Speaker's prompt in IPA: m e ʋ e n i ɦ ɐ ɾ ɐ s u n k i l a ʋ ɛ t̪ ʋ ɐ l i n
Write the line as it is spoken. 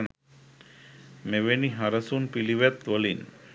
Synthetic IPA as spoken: m e ʋ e n i ɦ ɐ ɾ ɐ s u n p i l i ʋ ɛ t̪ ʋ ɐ l i n